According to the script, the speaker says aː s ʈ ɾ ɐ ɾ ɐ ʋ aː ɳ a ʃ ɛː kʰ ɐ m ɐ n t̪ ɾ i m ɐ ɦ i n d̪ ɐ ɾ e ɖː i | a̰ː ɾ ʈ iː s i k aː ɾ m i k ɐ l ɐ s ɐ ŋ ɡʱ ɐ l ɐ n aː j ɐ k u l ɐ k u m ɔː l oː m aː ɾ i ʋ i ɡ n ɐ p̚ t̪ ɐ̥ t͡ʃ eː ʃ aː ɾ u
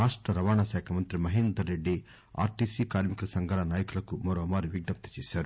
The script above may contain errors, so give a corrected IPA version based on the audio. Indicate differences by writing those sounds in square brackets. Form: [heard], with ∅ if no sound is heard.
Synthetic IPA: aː [ʂ] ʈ ɾ ɐ ɾ ɐ ʋ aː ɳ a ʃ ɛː kʰ ɐ m ɐ n t̪ ɾ i m ɐ ɦ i n d̪ ɐ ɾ e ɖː i | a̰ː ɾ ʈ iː s i k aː ɾ m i k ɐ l ɐ s ɐ ŋ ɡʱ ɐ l ɐ n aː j ɐ k u l ɐ k u m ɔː [ɾ] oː m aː ɾ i ʋ i ɡ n ɐ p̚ t̪ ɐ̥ t͡ʃ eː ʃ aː ɾ u